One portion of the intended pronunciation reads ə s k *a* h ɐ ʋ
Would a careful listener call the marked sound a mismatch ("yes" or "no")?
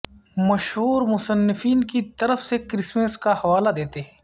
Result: no